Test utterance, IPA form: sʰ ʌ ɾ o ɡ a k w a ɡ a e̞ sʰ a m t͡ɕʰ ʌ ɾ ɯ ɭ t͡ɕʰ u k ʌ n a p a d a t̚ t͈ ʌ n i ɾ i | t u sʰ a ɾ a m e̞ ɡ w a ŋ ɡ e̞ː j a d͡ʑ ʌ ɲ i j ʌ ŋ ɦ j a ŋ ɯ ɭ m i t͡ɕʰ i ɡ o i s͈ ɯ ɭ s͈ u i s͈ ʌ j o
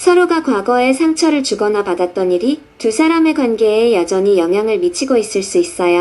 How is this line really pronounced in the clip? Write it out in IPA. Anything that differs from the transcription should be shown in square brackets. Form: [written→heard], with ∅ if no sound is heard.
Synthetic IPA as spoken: sʰ ʌ ɾ o ɡ a k w a ɡ [a→ʌ] e̞ sʰ a [m→ŋ] t͡ɕʰ ʌ ɾ ɯ ɭ [t͡ɕʰ→t͡ɕ] u [k→ɡ] ʌ n a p a d a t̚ t͈ ʌ n i ɾ i | t u sʰ a ɾ a m e̞ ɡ w a [ŋ→n] ɡ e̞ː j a d͡ʑ ʌ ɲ i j ʌ ŋ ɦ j a ŋ ɯ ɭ m i t͡ɕʰ i ɡ o i s͈ ɯ ɭ s͈ u i s͈ ʌ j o